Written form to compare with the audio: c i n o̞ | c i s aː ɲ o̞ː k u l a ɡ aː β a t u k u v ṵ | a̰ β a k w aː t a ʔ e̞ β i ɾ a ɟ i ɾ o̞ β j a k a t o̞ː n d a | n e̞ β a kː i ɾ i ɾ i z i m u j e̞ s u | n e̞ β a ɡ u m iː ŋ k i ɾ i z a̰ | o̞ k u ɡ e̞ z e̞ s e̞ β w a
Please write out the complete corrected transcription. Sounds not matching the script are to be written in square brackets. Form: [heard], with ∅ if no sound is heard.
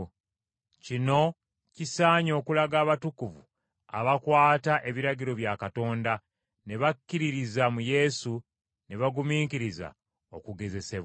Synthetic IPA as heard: c i n o̞ | c i s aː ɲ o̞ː k u l a ɡ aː β a t u k u v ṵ | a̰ β a k w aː t a ʔ e̞ β i ɾ a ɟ i ɾ o̞ β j a k a t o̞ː n d a | n e̞ β a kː i ɾ i ɾ i z [a] m u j e̞ s u | n e̞ β a ɡ u m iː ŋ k i ɾ i z a̰ | o̞ k u ɡ e̞ z e̞ s e̞ β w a

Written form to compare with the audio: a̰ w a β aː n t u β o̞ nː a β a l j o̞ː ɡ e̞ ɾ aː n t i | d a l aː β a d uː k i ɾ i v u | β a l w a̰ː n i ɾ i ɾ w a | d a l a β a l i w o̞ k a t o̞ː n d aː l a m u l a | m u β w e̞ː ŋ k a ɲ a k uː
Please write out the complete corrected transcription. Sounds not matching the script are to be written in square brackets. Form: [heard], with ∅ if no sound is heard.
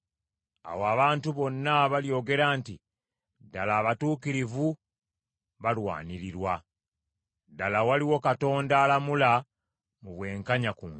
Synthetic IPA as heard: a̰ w a β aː n t u β o̞ nː a β a l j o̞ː ɡ e̞ ɾ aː n t i | d a l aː β a [t] uː k i ɾ i v u | β a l w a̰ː n i ɾ i ɾ w a | d a l a [w] a l i w o̞ k a t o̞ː n d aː l a m u l a | m u β w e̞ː ŋ k a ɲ a k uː

